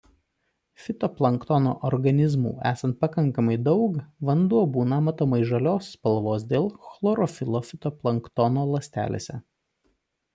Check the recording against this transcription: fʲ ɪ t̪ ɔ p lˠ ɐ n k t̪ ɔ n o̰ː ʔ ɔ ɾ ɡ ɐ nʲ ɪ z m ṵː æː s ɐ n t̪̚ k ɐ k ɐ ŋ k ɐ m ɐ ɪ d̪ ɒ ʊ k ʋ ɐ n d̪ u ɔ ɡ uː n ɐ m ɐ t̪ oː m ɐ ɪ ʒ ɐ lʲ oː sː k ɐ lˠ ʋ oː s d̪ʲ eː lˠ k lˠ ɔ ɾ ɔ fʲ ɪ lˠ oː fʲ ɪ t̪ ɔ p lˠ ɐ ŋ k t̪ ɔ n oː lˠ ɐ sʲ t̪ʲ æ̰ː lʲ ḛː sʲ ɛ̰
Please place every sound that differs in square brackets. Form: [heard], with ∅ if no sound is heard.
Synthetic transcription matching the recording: fʲ ɪ t̪ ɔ p lˠ ɐ [ŋ] k t̪ ɔ n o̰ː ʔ ɔ ɾ ɡ ɐ nʲ ɪ z m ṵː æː s ɐ n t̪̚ [p] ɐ k ɐ ŋ k ɐ m ɐ ɪ d̪ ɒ ʊ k ʋ ɐ n d̪ u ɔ [b] uː n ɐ m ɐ t̪ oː m ɐ ɪ ʒ ɐ lʲ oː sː [p] ɐ lˠ ʋ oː s d̪ʲ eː lˠ [x] lˠ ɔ ɾ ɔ fʲ ɪ lˠ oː fʲ ɪ t̪ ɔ p lˠ ɐ ŋ k t̪ ɔ n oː lˠ ɐ sʲ t̪ʲ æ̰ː lʲ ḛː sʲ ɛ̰